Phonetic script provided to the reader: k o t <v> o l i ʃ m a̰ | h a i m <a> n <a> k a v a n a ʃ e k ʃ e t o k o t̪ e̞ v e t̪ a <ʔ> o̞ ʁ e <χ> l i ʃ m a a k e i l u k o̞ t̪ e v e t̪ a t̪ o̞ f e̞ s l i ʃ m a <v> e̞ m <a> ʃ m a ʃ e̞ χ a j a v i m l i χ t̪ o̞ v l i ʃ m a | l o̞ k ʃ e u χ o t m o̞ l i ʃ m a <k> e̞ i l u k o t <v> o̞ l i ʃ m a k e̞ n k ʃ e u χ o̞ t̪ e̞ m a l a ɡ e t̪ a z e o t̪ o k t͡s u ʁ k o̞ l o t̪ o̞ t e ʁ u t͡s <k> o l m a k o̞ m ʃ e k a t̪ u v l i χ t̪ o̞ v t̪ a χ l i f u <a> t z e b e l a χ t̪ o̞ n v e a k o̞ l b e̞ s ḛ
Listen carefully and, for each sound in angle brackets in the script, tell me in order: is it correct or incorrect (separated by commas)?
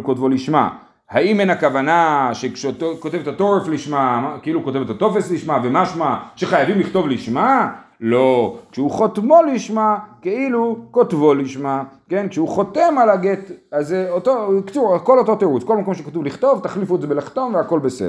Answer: correct, incorrect, correct, incorrect, incorrect, correct, correct, correct, correct, correct, incorrect